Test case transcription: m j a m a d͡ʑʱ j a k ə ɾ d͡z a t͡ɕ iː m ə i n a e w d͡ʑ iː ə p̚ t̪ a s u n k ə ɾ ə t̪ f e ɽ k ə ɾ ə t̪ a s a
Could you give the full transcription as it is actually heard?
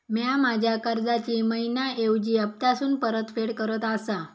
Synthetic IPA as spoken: m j a m a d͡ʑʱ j a k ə ɾ d͡z a t͡ɕ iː m ə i n a e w d͡ʑ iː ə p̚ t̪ a s uː n p ə ɾ ə t̪ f e ɽ k ə ɾ ə t̪ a s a

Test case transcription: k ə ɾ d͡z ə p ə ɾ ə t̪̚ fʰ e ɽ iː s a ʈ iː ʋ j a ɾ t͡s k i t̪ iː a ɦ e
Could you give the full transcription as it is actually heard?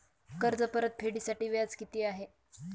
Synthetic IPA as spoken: k ə ɾ d͡z ə p ə ɾ ə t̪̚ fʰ e ɽ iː s a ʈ iː ʋ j a t͡s k i t̪ iː a ɦ e

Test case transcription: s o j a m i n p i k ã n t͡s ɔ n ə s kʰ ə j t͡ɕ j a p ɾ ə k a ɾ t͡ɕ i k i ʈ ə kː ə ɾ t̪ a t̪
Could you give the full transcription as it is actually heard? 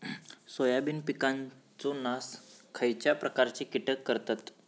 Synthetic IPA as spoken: s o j a b i n p i k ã n t͡s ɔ n a s kʰ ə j t͡ɕ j a p ɾ ə k a ɾ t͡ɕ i k i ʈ ə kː ə ɾ t̪ a t̪

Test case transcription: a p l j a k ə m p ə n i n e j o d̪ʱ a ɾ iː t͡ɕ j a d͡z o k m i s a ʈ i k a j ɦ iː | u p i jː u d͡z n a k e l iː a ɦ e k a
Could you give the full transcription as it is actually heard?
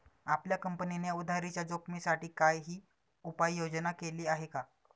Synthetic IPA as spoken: a p l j a k ə m p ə n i n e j u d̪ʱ a ɾ i t͡ɕ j a d͡z o k m i s a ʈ iː k a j ɦ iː | u p a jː o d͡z n a k e l iː a ɦ e k a

